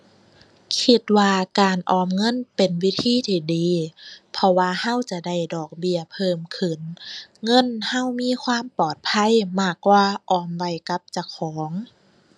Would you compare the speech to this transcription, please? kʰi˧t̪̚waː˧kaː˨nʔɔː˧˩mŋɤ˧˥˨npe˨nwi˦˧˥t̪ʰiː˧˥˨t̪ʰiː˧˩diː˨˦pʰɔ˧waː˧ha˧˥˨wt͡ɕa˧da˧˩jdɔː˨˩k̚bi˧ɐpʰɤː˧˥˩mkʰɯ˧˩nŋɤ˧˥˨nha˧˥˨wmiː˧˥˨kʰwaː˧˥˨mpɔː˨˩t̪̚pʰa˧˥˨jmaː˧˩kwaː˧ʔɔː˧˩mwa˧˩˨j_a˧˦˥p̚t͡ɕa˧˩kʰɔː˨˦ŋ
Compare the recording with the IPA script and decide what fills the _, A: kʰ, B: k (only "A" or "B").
B